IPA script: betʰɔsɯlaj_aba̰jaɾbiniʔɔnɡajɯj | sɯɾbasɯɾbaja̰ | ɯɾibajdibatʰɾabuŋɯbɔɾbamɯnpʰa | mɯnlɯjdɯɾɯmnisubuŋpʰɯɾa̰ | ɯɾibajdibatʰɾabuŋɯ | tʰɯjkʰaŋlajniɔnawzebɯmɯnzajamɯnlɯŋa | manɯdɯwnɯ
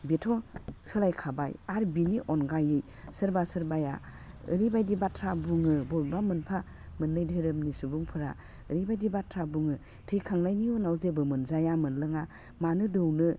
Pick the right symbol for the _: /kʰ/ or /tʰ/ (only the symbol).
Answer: kʰ